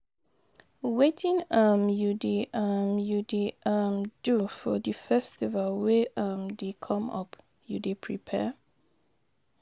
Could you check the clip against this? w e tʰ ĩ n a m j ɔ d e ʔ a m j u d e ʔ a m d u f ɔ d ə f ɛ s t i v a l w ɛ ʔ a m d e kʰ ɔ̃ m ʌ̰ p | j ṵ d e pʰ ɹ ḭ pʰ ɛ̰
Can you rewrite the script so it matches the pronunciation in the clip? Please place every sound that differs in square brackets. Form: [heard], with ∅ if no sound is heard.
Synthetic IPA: w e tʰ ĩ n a m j [u] d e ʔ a m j u d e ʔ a m d u f ɔ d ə f ɛ s t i v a l w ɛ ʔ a m d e kʰ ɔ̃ m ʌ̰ p | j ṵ d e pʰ ɹ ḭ pʰ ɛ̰

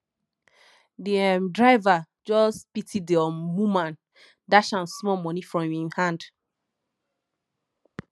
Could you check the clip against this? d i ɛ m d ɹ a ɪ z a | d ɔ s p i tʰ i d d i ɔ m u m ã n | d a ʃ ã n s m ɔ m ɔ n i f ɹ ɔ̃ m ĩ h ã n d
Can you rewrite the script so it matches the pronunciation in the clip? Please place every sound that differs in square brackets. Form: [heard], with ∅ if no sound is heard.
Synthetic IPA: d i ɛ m d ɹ a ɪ [v] a | [d͡ʒ] ɔ s p i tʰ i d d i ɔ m u m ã n | d a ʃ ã n s m ɔ m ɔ n i f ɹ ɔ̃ m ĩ h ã n d

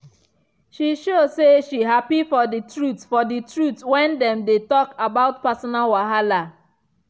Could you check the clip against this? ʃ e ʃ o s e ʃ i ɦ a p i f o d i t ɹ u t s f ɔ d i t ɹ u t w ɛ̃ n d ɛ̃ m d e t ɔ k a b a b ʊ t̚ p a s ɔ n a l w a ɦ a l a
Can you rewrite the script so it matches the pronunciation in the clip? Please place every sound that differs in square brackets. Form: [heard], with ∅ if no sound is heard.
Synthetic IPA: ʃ [i] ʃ o s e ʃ i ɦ a p i f [ɔ] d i t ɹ u t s f ɔ d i t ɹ u t w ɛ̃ n d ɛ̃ m d e t ɔ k a b a [∅] ʊ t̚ p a s ɔ n a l w a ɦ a l a

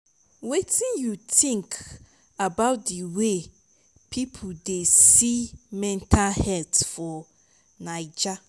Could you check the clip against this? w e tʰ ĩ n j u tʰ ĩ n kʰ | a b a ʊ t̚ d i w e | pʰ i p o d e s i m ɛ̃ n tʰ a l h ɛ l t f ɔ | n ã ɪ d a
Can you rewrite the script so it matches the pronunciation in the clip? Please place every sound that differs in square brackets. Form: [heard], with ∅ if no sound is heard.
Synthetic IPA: w e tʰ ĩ n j u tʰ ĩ [ŋ] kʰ | a b a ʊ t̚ d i w e | pʰ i [pʰ] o d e s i m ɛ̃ n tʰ a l h ɛ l t f ɔ | n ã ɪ [d͡ʒ] a

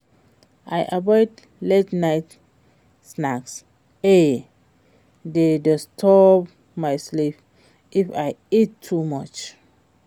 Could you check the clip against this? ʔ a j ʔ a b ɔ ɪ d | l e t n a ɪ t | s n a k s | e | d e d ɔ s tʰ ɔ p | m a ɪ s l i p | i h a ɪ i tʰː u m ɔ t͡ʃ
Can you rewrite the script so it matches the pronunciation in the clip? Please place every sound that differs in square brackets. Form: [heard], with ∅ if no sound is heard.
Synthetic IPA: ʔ a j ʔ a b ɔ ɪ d | l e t n a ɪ t | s n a k s | e | d e d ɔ s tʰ ɔ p | m a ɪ s l i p | i [f] a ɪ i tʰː u m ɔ t͡ʃ

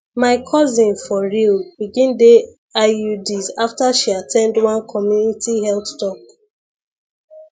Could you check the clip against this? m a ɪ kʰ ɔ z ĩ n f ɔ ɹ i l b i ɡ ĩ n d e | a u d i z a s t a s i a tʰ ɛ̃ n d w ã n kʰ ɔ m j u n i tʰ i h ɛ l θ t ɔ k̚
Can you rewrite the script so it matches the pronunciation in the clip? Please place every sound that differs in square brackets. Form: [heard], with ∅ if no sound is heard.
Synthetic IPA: m a ɪ kʰ ɔ z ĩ n f ɔ ɹ i l b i ɡ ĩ n d e | a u d i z a [f] t a [ʃ] i a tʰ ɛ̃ n d w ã n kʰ ɔ m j u n i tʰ i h ɛ l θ t ɔ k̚

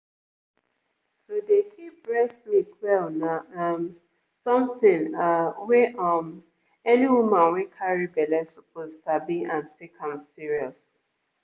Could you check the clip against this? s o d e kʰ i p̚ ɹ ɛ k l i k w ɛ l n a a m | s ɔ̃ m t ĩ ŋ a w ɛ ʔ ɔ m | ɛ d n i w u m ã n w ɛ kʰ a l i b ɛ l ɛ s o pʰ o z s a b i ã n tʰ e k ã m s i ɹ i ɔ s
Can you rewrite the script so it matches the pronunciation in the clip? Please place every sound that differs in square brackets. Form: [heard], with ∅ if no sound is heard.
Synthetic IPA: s o d e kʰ i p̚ ɹ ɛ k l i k w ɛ l n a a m | s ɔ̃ m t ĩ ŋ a w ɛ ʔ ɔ m | ɛ [∅] n i w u m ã n w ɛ kʰ a [ɹ] i b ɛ l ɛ s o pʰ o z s a b i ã n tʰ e k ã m s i ɹ i ɔ s

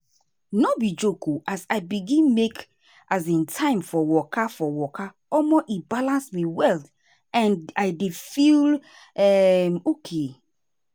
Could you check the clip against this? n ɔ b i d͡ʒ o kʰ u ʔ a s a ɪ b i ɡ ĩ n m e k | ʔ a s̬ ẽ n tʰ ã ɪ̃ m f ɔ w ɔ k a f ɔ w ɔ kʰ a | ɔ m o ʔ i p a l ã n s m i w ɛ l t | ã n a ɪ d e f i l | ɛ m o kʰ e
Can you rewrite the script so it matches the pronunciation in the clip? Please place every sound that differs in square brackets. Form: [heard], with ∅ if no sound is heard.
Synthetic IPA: n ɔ b i d͡ʒ o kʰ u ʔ a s a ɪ b i ɡ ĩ n m e k | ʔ a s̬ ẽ n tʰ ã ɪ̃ m f ɔ w ɔ k a f ɔ w ɔ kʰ a | ɔ m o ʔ i [b] a l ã n s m i w ɛ l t | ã n a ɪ d e f i l | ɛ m o kʰ e

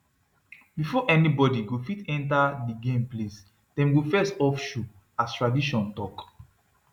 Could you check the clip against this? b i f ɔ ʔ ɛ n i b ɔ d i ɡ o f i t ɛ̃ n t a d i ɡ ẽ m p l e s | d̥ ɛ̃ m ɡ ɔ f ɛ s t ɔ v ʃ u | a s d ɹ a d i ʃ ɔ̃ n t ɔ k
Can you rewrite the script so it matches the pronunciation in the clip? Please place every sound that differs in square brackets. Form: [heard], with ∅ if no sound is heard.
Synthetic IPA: b i f ɔ ʔ ɛ n i b ɔ d i ɡ o f i t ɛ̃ n t a d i ɡ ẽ m p l e s | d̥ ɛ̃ m ɡ [o] f ɛ s t ɔ [f] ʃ u | a s [t] ɹ a d i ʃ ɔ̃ n t ɔ k

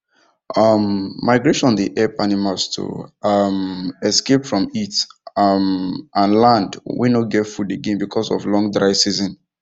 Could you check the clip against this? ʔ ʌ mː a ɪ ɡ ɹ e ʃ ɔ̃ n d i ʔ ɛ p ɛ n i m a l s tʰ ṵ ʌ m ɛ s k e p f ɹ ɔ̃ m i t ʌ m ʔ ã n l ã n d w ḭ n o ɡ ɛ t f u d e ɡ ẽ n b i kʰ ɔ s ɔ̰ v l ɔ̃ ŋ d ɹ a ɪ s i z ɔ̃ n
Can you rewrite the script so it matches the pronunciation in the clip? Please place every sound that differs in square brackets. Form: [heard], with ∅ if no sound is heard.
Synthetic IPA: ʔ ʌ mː a ɪ ɡ ɹ e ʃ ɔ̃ n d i ʔ ɛ p [a] n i m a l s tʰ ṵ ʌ m ɛ s k e p f ɹ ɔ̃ m i t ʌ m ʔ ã n l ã n d w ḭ n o ɡ ɛ t f u d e ɡ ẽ n b i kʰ ɔ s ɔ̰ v l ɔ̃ ŋ d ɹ a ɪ s i z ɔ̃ n

